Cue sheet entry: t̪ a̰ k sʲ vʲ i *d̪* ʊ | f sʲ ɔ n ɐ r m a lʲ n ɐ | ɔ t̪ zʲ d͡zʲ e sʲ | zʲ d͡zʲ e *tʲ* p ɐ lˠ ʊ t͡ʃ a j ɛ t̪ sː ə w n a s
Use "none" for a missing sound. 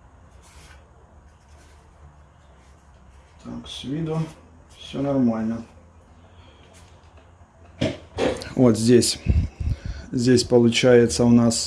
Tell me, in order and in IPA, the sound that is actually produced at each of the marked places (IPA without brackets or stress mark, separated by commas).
d̪, sʲ